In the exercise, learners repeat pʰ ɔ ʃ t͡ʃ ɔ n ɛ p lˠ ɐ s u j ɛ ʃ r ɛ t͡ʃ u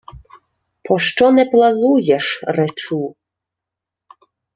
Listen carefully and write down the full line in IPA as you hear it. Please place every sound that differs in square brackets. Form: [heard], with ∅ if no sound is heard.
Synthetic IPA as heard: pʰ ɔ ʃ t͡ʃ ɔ n ɛ p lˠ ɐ [z] u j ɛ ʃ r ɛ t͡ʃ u